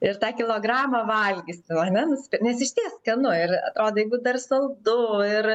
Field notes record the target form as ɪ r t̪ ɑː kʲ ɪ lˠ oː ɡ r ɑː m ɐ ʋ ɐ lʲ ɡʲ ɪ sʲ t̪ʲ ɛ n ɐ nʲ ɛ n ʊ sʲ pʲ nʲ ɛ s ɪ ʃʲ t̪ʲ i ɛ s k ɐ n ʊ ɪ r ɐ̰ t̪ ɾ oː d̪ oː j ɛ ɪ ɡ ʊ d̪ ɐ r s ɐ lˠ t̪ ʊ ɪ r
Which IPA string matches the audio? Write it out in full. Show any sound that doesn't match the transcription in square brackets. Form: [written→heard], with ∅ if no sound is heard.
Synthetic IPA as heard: ɪ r t̪ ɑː kʲ ɪ lˠ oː ɡ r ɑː m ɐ ʋ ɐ lʲ ɡʲ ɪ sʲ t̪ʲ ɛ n ɐ nʲ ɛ n ʊ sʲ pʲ nʲ ɛ s ɪ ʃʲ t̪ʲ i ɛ s k ɐ n ʊ ɪ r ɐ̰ t̪ ɾ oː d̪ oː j ɛ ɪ ɡ ʊ d̪ ɐ r s ɐ lˠ [t̪→d̪] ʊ ɪ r